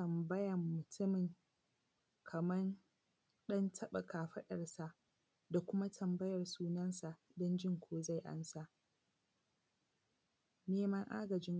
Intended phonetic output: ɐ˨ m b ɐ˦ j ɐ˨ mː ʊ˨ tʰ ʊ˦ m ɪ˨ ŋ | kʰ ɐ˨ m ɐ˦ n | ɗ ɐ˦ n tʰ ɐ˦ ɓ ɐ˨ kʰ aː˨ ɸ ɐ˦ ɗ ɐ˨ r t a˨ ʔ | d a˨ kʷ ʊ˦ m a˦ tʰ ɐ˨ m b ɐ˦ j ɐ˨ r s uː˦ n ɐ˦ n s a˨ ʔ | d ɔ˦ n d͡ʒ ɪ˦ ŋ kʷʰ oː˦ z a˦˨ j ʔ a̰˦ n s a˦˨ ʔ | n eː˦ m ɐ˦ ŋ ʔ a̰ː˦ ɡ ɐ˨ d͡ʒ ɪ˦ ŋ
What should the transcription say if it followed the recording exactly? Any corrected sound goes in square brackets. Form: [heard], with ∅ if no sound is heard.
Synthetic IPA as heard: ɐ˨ m b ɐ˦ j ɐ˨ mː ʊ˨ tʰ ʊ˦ m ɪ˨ ŋ | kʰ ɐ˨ m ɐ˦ n | ɗ ɐ˦ n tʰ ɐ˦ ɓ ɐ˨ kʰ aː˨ ɸ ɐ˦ ɗ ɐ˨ r [s] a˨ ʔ | d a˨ kʷ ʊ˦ m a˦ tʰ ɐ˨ m b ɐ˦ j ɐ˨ r s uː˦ n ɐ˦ n s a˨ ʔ | d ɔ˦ n d͡ʒ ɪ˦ ŋ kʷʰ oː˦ z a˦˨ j ʔ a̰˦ n s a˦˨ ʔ | n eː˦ m ɐ˦ ŋ ʔ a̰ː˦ ɡ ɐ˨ d͡ʒ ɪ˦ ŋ